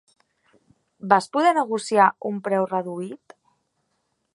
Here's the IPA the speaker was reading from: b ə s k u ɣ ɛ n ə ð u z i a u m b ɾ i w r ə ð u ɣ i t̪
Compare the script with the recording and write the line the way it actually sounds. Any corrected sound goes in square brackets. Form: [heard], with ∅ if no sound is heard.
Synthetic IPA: b [a] s [p] u [ð] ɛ n ə [ɣ] u [s] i a u m [p] ɾ [ɛ] w r ə ð u [∅] i t̪